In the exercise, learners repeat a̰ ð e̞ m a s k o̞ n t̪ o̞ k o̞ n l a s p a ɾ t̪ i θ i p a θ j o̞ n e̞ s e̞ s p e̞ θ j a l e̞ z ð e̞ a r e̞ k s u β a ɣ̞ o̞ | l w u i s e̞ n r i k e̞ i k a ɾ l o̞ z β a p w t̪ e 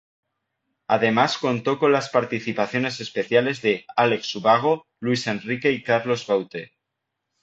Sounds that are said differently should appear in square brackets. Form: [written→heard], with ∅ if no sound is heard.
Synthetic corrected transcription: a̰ ð e̞ m a s k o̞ n t̪ o̞ k o̞ n l a s p a ɾ t̪ i θ i p a θ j o̞ n e̞ s e̞ s p e̞ θ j a l e̞ z ð e̞ a [r→l] e̞ k s u β a ɣ̞ o̞ | l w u i s e̞ n r i k e̞ i k a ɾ l o̞ z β a [p→∅] w t̪ e